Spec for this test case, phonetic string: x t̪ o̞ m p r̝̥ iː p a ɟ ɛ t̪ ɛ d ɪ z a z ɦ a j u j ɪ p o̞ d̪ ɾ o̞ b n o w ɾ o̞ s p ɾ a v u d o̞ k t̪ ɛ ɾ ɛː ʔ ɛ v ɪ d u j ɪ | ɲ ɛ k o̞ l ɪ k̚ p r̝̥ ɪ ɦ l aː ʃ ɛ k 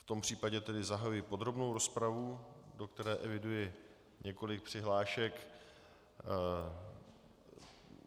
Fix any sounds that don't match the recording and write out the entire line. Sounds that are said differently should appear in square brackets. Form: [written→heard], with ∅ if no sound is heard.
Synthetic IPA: [x→f] t̪ o̞ m p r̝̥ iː p a ɟ ɛ t̪ ɛ d ɪ z a [z→∅] ɦ a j u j ɪ p o̞ d̪ ɾ o̞ b n o w ɾ o̞ s p ɾ a v u d o̞ k t̪ ɛ ɾ ɛː ʔ ɛ v ɪ d u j ɪ | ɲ ɛ k o̞ l ɪ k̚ p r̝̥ ɪ ɦ l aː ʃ ɛ k